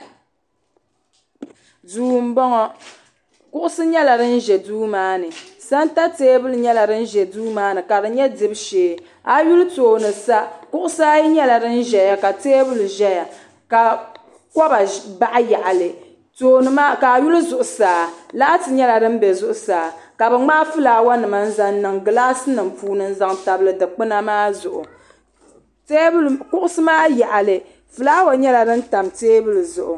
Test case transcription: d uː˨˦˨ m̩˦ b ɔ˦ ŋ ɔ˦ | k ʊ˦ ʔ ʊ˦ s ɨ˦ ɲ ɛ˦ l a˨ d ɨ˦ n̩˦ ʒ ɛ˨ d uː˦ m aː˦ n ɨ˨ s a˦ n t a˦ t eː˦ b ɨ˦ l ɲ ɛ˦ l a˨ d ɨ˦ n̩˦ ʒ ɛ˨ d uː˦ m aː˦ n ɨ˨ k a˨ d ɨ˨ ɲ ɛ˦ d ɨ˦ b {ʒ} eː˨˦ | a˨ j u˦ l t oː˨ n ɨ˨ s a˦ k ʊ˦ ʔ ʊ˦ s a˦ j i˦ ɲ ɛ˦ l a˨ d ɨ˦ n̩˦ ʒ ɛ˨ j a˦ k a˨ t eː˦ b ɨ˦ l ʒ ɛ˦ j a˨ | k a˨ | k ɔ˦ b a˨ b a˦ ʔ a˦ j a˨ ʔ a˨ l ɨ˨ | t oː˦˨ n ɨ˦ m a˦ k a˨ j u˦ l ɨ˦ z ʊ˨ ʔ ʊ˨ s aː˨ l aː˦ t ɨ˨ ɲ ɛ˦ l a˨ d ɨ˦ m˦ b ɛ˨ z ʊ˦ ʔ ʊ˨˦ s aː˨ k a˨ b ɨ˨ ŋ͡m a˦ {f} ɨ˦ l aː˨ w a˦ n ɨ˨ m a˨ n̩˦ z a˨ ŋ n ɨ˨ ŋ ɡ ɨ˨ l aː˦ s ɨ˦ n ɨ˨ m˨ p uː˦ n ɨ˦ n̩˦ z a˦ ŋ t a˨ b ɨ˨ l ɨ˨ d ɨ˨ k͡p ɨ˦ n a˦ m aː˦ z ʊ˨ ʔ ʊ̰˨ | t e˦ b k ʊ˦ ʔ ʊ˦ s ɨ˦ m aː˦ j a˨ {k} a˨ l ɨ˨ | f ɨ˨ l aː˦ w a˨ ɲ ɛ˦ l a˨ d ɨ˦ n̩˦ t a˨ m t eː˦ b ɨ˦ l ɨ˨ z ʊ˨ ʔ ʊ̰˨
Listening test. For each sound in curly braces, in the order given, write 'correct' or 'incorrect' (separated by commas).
incorrect, correct, incorrect